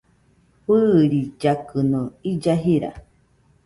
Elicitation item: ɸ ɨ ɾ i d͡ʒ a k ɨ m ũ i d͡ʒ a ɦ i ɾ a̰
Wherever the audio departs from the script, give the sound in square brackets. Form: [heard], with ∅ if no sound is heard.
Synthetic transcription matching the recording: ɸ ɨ ɾ i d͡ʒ a k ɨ [n] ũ i d͡ʒ a ɦ i ɾ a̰